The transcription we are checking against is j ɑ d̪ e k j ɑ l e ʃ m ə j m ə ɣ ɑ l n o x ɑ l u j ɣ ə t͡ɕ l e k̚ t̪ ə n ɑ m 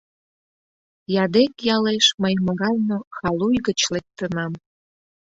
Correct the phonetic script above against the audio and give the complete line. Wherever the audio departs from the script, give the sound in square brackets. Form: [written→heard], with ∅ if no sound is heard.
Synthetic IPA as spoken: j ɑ d̪ e k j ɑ l e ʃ m ə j m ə ɣ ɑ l n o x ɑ l u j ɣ ə t͡ɕ l e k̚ t̪ ə n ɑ m